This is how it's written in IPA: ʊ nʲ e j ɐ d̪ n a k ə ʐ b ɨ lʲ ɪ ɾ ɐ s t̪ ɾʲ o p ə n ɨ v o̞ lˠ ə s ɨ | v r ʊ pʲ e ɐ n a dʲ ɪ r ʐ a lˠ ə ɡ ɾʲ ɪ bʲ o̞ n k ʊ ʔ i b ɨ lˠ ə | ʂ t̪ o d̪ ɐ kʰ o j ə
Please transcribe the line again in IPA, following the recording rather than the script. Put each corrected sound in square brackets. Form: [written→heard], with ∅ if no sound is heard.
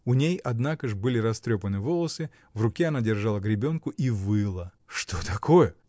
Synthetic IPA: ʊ nʲ e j ɐ d̪ n a k ə ʐ b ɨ lʲ ɪ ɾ ɐ s t̪ ɾʲ o p ə n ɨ v o̞ lˠ ə s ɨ | v r ʊ [pʲ→kʲ] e ɐ n a dʲ ɪ r ʐ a lˠ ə ɡ ɾʲ ɪ bʲ o̞ n k ʊ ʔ i [b→v] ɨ lˠ ə | ʂ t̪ o [d̪→t̪] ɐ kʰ o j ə

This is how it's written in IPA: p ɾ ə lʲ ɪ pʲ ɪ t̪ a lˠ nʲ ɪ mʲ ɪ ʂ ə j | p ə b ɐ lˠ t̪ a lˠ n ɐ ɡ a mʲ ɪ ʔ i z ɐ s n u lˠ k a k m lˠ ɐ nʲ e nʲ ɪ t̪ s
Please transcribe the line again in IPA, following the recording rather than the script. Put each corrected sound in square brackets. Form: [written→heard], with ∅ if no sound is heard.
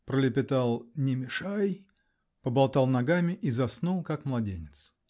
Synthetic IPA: p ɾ ə lʲ ɪ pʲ ɪ t̪ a lˠ nʲ ɪ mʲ ɪ ʂ [ə→a] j | p ə b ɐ lˠ t̪ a lˠ n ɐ ɡ a mʲ ɪ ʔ i z ɐ s n u lˠ k a k m lˠ ɐ [nʲ→dʲ] e nʲ ɪ t̪ s

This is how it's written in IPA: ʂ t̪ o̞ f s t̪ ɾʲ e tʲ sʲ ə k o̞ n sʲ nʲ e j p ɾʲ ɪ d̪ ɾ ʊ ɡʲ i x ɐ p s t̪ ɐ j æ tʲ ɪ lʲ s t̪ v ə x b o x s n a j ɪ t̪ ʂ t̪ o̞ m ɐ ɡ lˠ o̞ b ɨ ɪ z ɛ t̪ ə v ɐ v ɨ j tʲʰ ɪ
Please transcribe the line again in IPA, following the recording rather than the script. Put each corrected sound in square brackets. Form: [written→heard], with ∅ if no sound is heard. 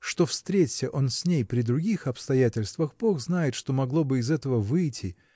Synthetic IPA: ʂ t̪ o̞ f s t̪ ɾʲ e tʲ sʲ ə [k→ʔ] o̞ n sʲ nʲ e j p ɾʲ ɪ d̪ ɾ ʊ ɡʲ i x ɐ p s t̪ ɐ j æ tʲ ɪ lʲ s t̪ v ə x b o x [s→z] n a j ɪ t̪ ʂ t̪ o̞ m ɐ ɡ lˠ o̞ b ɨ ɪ z ɛ t̪ ə v [ɐ→ə] v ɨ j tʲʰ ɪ

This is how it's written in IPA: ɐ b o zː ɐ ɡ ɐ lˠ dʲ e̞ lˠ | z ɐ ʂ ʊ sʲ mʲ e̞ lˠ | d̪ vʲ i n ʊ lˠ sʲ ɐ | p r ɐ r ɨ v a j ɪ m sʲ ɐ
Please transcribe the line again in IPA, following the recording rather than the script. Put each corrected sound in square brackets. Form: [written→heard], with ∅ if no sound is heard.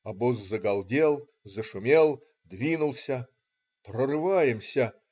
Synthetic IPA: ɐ b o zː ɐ ɡ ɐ lˠ dʲ e̞ lˠ | z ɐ ʂ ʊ [sʲ→∅] mʲ e̞ lˠ | d̪ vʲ i n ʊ lˠ sʲ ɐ | p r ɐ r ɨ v a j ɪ m sʲ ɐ

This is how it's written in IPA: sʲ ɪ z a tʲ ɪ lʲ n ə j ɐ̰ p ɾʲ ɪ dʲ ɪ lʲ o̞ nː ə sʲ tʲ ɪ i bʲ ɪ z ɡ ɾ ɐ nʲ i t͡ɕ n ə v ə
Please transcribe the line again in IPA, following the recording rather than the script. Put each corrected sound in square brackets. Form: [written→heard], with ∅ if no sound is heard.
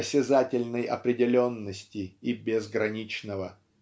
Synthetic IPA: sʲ ɪ z a tʲ ɪ lʲ n ə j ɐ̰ p ɾʲ ɪ dʲ ɪ lʲ o̞ nː ə sʲ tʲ ɪ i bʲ ɪ z ɡ ɾ ɐ nʲ i t͡ɕ n ə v ə

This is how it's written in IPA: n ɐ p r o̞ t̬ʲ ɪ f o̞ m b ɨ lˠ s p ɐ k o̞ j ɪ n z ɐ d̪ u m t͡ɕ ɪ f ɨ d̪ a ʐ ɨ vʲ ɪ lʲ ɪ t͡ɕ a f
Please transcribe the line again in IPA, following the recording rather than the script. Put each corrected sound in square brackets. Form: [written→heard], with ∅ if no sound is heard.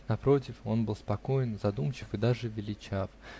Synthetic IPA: n ɐ p [r→ɾ] o̞ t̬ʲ ɪ f o̞ [m→n] b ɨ lˠ s p ɐ k o̞ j ɪ n z ɐ d̪ u m t͡ɕ ɪ f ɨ d̪ a ʐ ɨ vʲ ɪ lʲ ɪ t͡ɕ a f

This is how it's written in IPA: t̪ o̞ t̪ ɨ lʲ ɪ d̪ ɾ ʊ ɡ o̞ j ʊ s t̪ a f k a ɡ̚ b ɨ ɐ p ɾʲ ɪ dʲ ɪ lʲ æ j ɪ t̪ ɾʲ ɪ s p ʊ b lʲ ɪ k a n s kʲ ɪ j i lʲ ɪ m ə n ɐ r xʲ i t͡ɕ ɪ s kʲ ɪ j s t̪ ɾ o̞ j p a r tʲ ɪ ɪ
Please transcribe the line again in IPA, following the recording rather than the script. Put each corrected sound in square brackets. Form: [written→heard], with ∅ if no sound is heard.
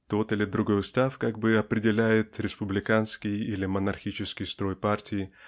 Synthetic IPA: t̪ o̞ t̪ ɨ lʲ ɪ d̪ ɾ ʊ ɡ o̞ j ʊ s t̪ a f k a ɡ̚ b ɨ ɐ p ɾʲ ɪ dʲ ɪ lʲ æ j ɪ t̪ ɾʲ ɪ s p ʊ b lʲ ɪ k a n s kʲ ɪ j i lʲ ɪ m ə n ɐ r xʲ i t͡ɕ ɪ s kʲ ɪ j s t̪ ɾ o̞ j p a r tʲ ɪ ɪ

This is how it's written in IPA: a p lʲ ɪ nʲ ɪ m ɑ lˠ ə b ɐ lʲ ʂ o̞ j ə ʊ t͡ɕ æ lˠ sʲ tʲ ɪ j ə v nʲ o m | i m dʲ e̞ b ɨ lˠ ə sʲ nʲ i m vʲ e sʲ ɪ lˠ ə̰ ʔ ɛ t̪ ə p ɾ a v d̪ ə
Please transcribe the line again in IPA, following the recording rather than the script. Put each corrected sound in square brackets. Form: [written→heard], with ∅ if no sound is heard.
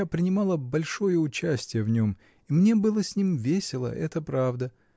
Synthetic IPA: a p [lʲ→ɾʲ] ɪ nʲ ɪ m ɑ lˠ ə b ɐ lʲ ʂ o̞ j ə ʊ t͡ɕ æ [lˠ→∅] sʲ tʲ ɪ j ə v nʲ o m | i m [dʲ→nʲ] e̞ b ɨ lˠ ə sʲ nʲ i m vʲ e sʲ ɪ lˠ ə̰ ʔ ɛ t̪ ə p ɾ a v d̪ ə

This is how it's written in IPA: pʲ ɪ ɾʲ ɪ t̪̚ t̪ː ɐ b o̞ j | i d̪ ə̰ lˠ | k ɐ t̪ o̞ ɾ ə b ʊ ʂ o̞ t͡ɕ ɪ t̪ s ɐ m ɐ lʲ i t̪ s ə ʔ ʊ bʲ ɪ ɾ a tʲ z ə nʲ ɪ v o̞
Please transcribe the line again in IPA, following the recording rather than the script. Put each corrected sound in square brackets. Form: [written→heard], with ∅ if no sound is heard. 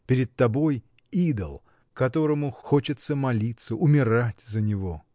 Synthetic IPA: pʲ ɪ ɾʲ ɪ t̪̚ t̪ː ɐ b o̞ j | i d̪ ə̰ lˠ | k ɐ t̪ o̞ ɾ ə [b→m] ʊ [ʂ→x] o̞ t͡ɕ ɪ t̪ s [ɐ→ə] m ɐ lʲ i t̪ s ə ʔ ʊ [bʲ→mʲ] ɪ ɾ a tʲ z ə nʲ ɪ v o̞

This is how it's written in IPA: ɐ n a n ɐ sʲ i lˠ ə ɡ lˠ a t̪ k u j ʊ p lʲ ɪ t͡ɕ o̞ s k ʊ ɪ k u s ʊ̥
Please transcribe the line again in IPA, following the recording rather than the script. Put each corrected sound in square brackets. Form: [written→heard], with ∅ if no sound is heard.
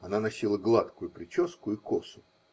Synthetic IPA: ɐ n a n ɐ sʲ i lˠ ə ɡ lˠ a t̪ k [u→ʊ] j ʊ p [lʲ→ɾʲ] ɪ t͡ɕ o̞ s k ʊ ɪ k [u→o] s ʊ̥

